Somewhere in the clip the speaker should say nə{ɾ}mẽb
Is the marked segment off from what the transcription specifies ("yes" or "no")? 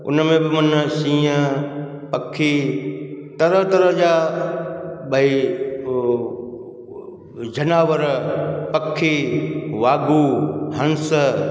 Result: yes